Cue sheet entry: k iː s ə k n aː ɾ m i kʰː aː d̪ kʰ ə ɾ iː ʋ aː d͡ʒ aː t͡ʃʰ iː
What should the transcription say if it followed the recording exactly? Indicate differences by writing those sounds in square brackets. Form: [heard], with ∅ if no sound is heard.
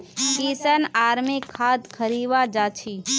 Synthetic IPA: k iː s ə [∅] n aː ɾ m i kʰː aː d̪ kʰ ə ɾ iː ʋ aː d͡ʒ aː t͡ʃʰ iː